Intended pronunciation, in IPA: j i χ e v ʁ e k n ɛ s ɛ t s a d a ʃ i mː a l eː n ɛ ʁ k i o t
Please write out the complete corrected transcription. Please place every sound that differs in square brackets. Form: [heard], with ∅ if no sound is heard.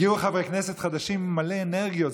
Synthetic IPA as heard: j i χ [a] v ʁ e k n ɛ s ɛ t [χ] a d a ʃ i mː a l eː n ɛ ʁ [ɡ] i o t